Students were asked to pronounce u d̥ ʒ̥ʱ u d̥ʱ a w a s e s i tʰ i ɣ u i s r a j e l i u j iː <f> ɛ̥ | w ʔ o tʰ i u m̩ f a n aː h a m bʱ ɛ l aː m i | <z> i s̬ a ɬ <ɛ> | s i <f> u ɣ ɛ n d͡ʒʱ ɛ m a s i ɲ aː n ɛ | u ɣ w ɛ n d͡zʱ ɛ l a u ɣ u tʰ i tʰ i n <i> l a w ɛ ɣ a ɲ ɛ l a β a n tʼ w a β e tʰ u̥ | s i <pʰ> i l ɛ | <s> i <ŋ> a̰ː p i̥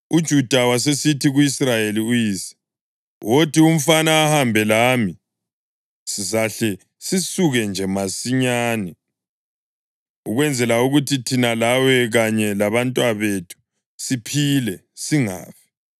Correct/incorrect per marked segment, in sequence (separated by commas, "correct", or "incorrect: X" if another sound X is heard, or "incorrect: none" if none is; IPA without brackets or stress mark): incorrect: s, incorrect: s, correct, incorrect: s, incorrect: a, correct, correct, correct